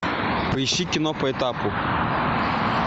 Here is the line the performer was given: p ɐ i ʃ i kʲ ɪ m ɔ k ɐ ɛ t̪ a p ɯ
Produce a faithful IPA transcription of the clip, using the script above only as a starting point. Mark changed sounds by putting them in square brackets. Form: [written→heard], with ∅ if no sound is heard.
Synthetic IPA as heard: p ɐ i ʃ i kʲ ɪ [m→n] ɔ [k→p] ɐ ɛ t̪ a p [ɯ→ʊ]